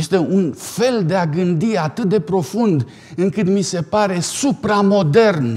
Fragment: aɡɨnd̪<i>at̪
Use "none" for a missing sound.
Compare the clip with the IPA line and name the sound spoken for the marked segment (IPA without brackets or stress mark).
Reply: i